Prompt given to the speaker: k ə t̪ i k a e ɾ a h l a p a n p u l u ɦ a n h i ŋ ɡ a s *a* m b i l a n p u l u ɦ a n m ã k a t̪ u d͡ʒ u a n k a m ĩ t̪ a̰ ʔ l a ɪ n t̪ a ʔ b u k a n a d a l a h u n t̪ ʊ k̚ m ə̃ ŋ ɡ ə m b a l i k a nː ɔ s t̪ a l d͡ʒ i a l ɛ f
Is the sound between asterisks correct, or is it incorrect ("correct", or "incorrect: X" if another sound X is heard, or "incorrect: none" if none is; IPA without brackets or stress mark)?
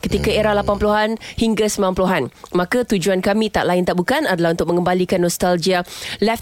incorrect: ə